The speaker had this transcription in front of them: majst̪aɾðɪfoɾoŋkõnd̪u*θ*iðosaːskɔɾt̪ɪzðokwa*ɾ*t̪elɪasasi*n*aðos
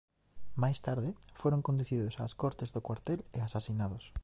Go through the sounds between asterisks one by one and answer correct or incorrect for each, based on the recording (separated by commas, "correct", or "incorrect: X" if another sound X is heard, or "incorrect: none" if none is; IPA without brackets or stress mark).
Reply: correct, correct, correct